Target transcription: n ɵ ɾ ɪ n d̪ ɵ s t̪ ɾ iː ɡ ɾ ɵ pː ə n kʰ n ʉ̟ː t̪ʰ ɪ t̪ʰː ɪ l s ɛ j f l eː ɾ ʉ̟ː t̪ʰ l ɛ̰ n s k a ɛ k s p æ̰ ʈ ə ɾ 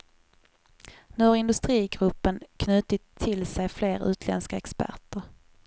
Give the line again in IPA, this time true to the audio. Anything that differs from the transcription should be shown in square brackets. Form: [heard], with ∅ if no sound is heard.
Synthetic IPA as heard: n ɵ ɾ ɪ n d̪ ɵ s t̪ ɾ iː ɡ ɾ ɵ pː ə n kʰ n ʉ̟ː [t̪] ɪ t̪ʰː ɪ l s ɛ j f l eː ɾ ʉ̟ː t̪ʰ l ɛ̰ n s k a ɛ k s p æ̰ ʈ ə ɾ